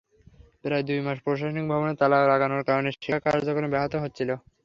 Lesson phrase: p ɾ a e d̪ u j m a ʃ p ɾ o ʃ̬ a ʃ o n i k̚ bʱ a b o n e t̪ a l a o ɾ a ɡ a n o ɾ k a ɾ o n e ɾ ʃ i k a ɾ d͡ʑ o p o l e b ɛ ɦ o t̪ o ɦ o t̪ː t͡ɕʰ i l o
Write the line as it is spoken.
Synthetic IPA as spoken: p ɾ a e d̪ u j m a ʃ p ɾ o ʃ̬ a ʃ o n i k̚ bʱ a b o n e t̪ a l a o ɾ a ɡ a n o ɾ k a ɾ o n e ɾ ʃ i k a ɾ d͡ʑ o k o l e b ɛ ɦ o t̪ o ɦ o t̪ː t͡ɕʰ i l o